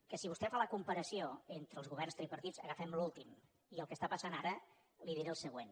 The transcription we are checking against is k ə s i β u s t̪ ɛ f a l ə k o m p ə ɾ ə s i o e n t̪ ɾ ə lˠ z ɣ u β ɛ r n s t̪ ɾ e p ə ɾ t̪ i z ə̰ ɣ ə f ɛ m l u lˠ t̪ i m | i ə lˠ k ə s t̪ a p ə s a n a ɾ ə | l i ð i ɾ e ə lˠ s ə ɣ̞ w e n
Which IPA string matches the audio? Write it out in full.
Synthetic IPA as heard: k ə s i β u s t̪ ɛ f a l ə k u m p ə ɾ ə s i o e n t̪ ɾ ə lˠ z ɣ u β ɛ r n s t̪ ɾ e p ə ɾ t̪ i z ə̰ ɣ ə f ɛ m l u lˠ t̪ i m | i ə lˠ k ə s t̪ a p ə s a n a ɾ ə | l i ð i ɾ e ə lˠ s ə ɣ̞ w e n